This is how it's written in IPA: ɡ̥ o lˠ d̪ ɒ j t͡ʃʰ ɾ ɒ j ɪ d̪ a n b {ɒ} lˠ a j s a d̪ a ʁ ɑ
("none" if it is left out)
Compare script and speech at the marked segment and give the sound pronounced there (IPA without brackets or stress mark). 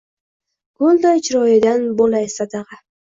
o